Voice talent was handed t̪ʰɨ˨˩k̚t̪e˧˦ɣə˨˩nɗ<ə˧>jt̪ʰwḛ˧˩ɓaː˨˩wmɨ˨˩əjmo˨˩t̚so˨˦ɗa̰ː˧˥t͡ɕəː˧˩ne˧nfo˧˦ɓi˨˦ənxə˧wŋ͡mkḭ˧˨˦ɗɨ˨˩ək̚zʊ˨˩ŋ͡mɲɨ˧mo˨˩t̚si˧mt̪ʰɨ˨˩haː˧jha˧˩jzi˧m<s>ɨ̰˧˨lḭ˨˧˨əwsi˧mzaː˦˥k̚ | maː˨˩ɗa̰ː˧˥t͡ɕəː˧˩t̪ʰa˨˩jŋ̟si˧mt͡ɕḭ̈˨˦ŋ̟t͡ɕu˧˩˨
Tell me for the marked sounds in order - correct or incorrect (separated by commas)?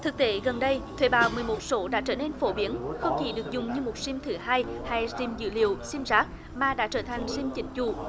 correct, incorrect